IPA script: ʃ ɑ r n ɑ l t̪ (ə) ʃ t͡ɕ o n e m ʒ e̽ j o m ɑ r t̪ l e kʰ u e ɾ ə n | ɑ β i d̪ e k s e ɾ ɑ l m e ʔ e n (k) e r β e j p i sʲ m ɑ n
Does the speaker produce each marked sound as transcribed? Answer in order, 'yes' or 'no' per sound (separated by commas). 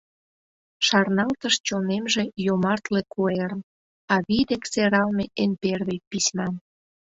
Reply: yes, no